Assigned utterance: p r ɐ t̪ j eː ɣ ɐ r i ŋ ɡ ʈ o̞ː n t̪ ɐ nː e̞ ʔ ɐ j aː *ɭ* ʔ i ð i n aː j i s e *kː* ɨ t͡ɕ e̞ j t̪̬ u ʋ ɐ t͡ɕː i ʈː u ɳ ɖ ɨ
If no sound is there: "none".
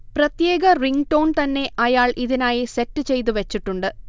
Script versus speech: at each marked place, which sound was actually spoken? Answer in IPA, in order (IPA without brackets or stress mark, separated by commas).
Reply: ɭ, tː